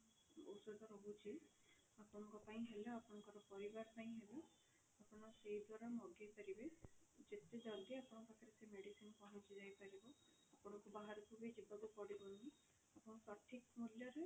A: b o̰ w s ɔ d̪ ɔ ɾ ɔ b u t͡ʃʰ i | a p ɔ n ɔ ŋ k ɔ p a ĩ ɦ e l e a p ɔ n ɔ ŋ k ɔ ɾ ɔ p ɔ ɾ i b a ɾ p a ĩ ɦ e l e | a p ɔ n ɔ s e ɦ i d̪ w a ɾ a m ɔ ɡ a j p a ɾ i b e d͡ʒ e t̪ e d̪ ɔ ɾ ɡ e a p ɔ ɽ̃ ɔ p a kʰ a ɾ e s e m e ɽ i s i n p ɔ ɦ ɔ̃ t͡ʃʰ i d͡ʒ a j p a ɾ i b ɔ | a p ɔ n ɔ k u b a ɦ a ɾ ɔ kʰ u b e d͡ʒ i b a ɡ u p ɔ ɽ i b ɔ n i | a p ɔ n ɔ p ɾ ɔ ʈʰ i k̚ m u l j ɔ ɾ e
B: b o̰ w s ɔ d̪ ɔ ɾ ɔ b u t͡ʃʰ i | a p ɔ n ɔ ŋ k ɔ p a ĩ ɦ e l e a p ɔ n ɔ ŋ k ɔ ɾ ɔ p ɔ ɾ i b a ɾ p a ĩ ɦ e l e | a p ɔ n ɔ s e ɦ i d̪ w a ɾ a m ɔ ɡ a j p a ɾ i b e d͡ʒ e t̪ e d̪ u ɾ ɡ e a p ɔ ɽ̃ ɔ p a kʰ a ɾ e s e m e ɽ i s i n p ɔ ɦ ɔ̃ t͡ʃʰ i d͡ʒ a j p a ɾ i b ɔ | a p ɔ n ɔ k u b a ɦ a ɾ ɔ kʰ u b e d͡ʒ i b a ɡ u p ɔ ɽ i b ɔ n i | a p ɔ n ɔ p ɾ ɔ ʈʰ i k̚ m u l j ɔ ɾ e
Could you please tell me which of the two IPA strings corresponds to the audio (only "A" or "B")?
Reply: A